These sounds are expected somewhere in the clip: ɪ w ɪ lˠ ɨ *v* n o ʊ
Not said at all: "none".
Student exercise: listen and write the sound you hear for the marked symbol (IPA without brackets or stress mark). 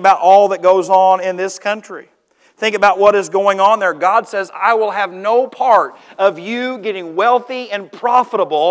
v